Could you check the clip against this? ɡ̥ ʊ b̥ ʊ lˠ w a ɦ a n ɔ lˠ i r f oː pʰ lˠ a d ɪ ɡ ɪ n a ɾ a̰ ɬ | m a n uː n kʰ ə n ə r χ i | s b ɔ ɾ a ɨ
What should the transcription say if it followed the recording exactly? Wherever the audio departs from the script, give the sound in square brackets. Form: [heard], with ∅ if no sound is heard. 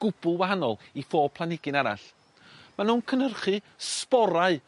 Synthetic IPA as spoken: ɡ̥ ʊ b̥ ʊ lˠ w a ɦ a n ɔ lˠ i [∅] f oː pʰ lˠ a [n] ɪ ɡ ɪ n a ɾ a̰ ɬ | m a n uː n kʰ ə n ə r χ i | s [p] ɔ ɾ a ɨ